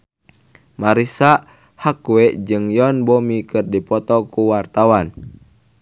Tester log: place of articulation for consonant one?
labial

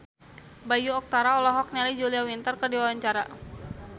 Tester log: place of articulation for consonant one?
labial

